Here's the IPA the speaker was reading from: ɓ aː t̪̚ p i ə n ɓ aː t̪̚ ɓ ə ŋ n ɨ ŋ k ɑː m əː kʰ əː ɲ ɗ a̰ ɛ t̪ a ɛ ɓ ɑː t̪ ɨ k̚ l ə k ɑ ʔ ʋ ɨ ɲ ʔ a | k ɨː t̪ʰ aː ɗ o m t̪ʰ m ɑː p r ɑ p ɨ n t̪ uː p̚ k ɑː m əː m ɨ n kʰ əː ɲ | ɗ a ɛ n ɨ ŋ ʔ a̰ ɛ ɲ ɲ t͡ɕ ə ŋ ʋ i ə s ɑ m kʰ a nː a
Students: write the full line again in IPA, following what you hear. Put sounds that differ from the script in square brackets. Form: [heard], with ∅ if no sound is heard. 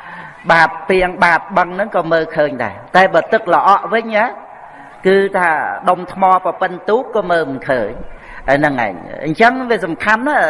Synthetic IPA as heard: ɓ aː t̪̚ p i ə [ŋ] ɓ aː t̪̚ ɓ ə ŋ n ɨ ŋ k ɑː m əː kʰ əː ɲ ɗ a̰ ɛ t̪ a ɛ ɓ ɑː t̪ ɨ k̚ l ə [ʔ] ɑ ʔ ʋ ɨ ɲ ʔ a | k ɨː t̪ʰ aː ɗ o m t̪ʰ m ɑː p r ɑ p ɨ n t̪ uː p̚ k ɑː m əː m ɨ n kʰ əː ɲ | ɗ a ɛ n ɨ ŋ ʔ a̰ ɛ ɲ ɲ t͡ɕ ə ŋ ʋ i ə s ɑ m kʰ a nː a